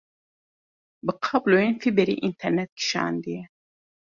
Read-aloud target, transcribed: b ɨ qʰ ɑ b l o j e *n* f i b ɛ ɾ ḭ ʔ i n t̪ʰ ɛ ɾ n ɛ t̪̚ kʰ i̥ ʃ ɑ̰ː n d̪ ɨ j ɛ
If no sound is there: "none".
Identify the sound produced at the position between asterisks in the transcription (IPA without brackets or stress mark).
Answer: n